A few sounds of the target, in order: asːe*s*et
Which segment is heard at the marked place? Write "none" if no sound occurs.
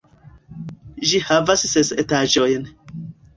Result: s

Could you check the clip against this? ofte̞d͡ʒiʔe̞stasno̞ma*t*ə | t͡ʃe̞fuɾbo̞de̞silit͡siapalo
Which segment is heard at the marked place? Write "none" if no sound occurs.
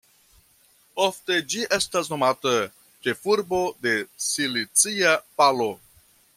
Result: t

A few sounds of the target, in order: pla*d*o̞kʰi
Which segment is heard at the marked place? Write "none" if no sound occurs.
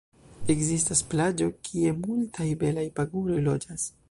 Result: d͡ʒ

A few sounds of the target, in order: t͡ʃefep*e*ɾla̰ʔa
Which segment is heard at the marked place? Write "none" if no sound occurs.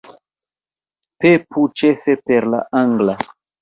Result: e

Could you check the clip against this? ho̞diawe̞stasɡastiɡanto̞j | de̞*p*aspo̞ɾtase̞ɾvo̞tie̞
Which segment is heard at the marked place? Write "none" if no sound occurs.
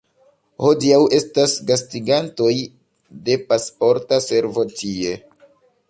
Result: p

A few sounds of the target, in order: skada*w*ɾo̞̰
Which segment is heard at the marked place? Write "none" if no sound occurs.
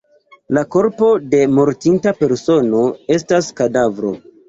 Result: v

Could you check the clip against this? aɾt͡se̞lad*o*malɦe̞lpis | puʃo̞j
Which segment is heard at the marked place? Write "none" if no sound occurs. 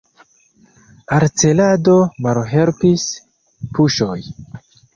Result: o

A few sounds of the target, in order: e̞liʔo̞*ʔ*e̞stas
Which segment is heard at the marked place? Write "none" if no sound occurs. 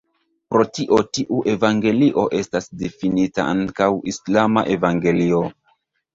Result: ʔ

